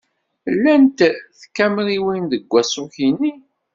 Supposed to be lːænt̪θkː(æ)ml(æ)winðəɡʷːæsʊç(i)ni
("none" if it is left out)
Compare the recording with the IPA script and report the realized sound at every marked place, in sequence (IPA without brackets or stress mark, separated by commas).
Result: æ, i, i